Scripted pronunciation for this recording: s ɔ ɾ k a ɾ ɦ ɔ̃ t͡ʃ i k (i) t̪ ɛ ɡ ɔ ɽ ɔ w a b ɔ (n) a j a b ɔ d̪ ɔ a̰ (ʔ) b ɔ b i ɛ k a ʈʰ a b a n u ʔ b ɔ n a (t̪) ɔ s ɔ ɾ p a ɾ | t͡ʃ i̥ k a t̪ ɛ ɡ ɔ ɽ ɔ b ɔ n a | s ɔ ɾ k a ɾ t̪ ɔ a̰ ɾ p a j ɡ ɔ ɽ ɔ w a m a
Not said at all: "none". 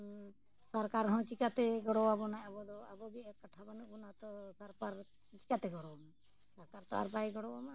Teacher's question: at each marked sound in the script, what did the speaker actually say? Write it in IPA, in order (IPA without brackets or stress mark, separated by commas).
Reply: a, n, none, t̪